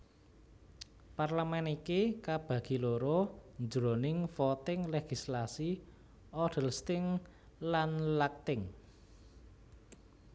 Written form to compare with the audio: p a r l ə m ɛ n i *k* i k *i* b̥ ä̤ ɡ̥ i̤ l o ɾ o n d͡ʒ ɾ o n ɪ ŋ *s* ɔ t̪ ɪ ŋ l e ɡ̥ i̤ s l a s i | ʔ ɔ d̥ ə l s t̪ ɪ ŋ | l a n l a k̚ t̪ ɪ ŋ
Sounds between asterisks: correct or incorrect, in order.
correct, incorrect, incorrect

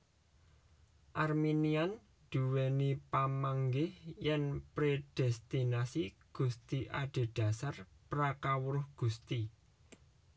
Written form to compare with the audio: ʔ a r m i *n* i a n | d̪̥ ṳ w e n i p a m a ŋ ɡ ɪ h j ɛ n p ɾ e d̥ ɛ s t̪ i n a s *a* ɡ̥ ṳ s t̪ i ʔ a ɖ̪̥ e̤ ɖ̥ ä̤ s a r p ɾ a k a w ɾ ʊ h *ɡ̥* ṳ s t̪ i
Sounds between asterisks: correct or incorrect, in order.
correct, incorrect, correct

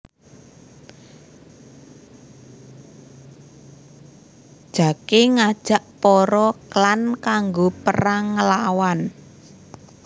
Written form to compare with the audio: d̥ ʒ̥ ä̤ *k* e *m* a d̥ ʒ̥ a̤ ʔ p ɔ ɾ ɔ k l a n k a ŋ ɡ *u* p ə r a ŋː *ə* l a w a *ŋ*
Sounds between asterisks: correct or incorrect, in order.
correct, incorrect, incorrect, correct, incorrect

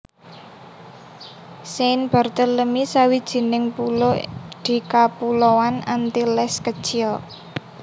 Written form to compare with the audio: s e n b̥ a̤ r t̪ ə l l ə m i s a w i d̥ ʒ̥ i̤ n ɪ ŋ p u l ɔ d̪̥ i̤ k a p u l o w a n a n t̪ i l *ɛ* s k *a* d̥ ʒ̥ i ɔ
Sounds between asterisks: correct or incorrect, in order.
correct, incorrect

